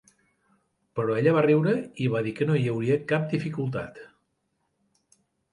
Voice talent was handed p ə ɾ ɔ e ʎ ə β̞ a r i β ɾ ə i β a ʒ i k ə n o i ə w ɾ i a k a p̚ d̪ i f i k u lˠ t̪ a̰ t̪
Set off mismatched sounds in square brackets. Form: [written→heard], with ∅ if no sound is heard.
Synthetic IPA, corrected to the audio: p ə ɾ ɔ e ʎ ə β̞ a r i [β→w] ɾ ə i β a [ʒ→ð] i k ə n o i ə w ɾ i [a→ə] k a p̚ d̪ i f i k u lˠ t̪ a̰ t̪

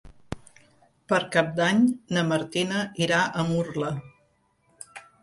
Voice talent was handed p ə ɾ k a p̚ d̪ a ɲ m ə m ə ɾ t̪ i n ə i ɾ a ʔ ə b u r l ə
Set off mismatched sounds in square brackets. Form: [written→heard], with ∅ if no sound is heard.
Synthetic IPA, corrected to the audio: p ə ɾ k a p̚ d̪ a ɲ [m→n] ə m ə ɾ t̪ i n ə i ɾ a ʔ ə [b→m] u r l ə

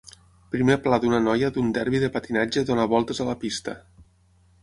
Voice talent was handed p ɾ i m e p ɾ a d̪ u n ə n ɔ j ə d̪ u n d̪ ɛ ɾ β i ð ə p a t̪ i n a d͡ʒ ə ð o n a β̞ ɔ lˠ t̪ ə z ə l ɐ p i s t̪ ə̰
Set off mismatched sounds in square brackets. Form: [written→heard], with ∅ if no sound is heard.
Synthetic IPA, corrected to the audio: p ɾ i m e p [ɾ→l] a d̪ u n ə n ɔ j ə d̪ u n d̪ ɛ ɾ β i ð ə p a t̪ i n a d͡ʒ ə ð o n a β̞ ɔ lˠ t̪ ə z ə l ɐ p i s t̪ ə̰

